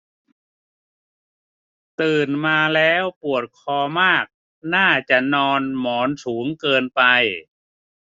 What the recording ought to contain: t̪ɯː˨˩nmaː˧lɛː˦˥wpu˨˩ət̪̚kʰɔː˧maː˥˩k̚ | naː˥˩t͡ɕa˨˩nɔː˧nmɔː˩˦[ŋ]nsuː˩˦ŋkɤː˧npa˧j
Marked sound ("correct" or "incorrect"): incorrect